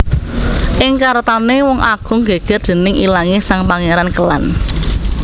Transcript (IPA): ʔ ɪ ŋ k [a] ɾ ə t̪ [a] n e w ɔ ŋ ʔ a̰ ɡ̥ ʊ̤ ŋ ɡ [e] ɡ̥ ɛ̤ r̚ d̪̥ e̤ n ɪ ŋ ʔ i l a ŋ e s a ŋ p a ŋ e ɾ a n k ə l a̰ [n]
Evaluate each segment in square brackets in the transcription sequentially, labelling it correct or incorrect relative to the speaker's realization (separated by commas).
correct, correct, correct, correct